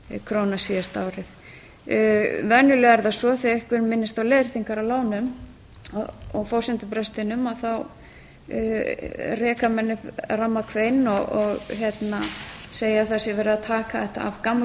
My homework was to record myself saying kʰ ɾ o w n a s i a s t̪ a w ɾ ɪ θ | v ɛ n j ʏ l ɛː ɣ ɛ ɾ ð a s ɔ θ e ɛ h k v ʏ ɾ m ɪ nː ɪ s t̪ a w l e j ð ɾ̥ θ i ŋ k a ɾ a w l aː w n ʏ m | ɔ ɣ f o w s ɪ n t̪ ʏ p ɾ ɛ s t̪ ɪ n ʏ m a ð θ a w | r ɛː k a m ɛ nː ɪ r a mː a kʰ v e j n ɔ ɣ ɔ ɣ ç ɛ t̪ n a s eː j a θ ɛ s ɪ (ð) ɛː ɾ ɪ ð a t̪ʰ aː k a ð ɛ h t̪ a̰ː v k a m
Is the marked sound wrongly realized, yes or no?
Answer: yes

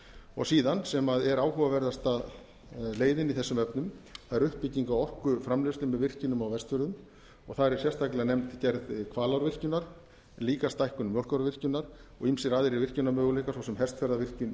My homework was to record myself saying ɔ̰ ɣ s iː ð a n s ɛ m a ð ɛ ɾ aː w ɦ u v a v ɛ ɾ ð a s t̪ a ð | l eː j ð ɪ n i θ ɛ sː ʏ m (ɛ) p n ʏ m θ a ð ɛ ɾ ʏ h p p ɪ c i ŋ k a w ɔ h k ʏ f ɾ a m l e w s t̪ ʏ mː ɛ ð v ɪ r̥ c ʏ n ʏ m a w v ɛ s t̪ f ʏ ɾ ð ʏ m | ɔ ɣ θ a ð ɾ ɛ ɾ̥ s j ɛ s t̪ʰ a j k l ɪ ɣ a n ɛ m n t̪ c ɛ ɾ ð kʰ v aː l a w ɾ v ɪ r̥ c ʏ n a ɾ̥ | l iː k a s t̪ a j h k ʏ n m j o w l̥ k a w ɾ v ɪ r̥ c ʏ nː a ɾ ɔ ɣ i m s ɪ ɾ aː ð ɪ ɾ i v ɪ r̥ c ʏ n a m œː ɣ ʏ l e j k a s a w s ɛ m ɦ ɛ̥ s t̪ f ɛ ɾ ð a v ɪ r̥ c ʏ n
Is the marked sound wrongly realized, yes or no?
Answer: yes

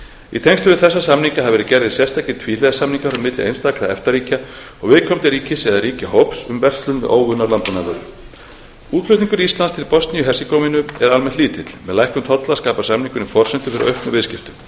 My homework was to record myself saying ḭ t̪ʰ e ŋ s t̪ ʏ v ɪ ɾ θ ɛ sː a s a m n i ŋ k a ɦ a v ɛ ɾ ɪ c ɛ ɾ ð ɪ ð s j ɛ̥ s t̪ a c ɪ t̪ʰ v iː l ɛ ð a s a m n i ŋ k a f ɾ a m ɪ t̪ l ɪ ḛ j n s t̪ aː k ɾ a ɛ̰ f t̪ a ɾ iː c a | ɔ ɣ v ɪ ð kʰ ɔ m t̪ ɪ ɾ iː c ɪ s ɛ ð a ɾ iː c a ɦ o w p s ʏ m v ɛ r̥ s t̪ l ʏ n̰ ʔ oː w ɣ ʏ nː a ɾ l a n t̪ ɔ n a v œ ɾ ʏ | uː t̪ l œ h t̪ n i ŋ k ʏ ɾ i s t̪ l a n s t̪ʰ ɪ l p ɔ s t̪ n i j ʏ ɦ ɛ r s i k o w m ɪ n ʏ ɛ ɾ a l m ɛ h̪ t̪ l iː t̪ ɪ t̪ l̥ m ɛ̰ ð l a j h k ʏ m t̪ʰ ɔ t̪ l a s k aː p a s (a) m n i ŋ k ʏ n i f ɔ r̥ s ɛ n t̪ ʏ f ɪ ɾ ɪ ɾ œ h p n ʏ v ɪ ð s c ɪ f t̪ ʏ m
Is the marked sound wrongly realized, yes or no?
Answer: no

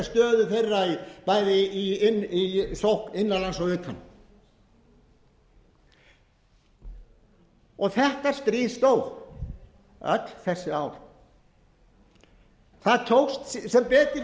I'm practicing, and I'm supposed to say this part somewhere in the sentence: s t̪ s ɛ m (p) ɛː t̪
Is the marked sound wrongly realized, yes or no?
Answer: no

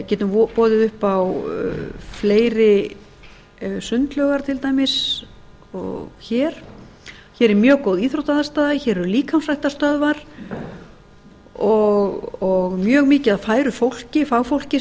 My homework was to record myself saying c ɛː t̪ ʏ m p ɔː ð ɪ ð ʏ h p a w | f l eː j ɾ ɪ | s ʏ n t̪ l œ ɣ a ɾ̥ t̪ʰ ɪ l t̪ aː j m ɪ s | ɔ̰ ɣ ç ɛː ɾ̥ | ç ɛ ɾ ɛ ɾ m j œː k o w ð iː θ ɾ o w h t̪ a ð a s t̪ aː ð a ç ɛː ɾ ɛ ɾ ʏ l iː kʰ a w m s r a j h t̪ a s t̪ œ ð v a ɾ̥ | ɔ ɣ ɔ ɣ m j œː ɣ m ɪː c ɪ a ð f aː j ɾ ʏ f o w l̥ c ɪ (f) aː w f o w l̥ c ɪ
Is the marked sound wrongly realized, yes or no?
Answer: no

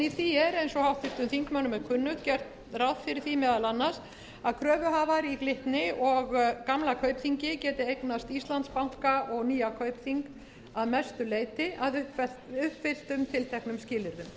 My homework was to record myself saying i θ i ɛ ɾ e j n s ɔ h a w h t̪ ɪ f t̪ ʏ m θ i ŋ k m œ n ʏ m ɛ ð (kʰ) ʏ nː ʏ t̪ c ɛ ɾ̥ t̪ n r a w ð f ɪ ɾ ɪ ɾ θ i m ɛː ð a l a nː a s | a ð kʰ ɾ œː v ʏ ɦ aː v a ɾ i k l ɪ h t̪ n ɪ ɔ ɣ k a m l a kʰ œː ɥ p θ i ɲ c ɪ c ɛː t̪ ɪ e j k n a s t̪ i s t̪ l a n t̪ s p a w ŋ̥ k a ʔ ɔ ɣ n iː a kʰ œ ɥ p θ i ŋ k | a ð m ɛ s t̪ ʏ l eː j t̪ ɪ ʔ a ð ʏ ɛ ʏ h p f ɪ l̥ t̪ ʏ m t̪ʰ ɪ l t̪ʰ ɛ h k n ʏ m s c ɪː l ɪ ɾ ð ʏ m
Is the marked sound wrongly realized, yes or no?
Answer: no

